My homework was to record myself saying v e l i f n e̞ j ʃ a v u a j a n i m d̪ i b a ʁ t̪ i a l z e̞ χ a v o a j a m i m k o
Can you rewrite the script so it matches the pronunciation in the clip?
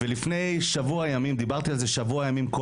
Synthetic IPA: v e l i f n e̞ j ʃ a v u a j a m i m d̪ i b a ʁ t̪ i a l z e̞ ʃ a v u a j a m i m k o